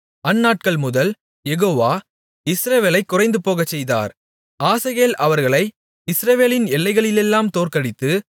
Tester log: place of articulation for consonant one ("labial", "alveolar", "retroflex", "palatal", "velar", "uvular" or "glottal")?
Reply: alveolar